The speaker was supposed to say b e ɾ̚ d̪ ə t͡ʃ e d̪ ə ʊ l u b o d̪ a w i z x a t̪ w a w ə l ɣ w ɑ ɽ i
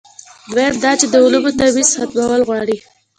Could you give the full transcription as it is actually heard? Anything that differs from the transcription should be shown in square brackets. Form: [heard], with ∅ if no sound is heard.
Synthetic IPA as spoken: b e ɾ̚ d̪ [ɑ] t͡ʃ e d̪ ə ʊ l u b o [t̪] a w i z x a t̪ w a w ə l ɣ w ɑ ɽ i

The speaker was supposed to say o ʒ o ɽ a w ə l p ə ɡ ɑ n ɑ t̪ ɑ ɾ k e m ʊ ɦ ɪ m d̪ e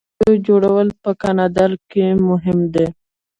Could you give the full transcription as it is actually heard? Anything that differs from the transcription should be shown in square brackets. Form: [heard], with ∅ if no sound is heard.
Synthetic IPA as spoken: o [d͡ʒ] o ɽ a w ə l p ə [k] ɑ n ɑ [d̪] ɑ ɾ k e m ʊ ɦ ɪ m d̪ e

